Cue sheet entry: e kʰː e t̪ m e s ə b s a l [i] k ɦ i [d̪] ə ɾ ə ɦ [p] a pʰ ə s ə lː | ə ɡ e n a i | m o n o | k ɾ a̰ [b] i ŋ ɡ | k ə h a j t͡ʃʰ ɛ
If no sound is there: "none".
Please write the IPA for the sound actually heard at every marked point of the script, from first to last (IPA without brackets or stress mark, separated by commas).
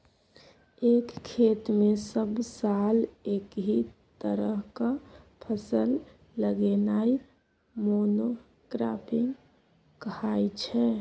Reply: e, t̪, k, p